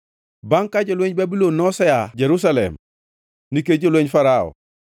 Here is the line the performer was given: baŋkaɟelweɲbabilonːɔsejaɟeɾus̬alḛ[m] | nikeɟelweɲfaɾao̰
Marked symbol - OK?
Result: yes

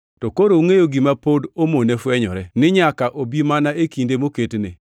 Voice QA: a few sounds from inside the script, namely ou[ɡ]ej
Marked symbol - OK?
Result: no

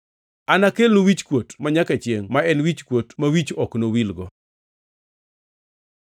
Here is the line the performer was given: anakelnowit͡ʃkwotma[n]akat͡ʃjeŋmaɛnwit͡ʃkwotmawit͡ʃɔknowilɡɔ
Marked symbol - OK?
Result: no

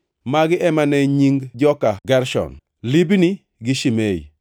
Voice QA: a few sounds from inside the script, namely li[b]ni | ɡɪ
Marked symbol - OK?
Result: yes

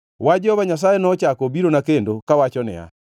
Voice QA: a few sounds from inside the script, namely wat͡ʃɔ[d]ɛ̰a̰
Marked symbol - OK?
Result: no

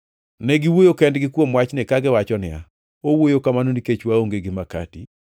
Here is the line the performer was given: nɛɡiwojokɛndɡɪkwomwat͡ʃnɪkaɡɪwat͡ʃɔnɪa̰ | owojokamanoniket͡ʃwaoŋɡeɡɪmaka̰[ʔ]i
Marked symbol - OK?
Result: no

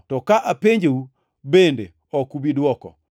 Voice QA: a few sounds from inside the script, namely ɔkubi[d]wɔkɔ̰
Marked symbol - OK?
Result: yes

